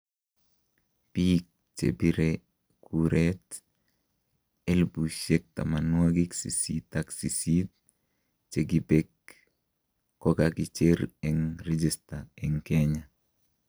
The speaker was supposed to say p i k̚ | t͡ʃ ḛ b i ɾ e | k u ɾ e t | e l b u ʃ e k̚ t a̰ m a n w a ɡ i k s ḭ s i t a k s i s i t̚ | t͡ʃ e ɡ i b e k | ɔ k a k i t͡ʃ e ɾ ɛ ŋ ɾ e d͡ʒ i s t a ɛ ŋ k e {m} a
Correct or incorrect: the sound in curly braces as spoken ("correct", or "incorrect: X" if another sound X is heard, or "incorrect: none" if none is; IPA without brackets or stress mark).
incorrect: ɲ